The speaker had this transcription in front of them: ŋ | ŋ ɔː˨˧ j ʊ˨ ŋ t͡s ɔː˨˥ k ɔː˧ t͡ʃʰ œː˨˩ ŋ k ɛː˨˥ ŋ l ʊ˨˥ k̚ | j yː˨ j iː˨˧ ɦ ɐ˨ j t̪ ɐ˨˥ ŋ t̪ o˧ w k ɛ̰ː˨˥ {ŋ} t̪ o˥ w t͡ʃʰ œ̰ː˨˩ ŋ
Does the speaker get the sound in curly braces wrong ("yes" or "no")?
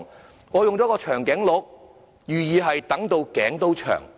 no